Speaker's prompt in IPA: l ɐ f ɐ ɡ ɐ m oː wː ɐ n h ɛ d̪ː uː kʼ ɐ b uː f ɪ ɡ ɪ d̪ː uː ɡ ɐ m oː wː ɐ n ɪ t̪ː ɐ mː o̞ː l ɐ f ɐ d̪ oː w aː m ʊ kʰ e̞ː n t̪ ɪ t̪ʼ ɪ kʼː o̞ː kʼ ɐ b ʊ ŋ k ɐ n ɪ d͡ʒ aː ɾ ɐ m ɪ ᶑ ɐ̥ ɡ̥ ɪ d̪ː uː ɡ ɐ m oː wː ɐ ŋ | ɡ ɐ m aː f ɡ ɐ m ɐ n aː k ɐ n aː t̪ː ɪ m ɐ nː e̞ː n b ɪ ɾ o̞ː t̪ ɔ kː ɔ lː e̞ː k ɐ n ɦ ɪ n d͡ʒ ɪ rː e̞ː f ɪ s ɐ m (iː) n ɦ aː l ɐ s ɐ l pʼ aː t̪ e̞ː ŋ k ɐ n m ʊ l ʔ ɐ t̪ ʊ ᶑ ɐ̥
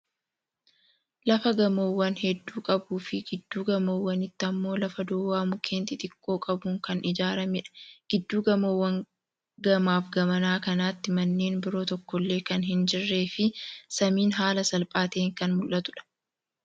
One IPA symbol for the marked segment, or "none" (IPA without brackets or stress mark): iː